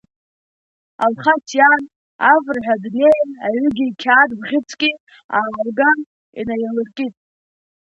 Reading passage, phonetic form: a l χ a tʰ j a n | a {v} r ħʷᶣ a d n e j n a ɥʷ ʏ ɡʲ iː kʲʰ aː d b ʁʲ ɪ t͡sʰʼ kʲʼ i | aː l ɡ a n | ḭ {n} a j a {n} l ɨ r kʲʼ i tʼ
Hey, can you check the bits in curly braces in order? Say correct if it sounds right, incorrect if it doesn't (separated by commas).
correct, correct, incorrect